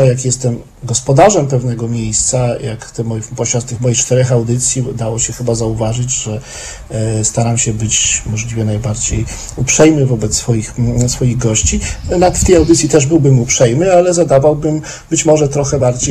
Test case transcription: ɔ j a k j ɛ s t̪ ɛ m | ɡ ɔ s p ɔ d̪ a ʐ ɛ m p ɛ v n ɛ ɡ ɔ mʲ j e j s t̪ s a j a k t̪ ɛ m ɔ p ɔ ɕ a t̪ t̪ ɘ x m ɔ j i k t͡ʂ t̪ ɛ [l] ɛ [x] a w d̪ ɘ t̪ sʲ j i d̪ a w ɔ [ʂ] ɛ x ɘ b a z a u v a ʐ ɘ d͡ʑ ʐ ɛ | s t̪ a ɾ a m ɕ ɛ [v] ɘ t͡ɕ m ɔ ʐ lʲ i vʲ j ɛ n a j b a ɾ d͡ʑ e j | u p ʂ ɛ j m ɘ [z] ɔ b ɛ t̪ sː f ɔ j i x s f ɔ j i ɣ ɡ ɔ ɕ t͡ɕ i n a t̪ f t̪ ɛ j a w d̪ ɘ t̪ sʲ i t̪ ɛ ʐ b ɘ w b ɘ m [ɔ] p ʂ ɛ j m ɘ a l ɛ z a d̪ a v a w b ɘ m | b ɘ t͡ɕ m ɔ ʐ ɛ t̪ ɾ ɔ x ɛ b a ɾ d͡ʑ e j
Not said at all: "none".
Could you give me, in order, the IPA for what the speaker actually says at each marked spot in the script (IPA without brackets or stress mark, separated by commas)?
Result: ɾ, x, ɕ, b, v, u